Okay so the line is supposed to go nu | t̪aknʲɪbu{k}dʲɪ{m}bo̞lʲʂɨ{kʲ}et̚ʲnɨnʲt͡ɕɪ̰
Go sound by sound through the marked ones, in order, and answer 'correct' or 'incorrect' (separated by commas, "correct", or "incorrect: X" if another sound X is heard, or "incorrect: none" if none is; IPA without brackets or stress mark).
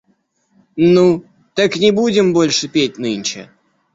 incorrect: none, correct, incorrect: pʲ